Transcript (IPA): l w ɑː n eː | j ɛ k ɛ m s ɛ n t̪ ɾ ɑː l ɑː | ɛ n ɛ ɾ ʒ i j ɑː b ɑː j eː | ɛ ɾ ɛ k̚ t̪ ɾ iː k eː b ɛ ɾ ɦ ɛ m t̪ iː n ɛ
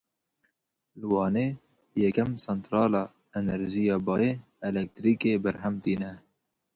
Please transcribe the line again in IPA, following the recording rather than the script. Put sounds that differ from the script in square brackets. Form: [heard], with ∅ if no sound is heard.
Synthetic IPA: l w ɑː n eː | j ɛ k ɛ m s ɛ n t̪ ɾ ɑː l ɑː | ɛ n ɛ ɾ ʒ i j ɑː b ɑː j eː | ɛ [l] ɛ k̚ t̪ ɾ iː k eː b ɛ ɾ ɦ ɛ m t̪ iː n ɛ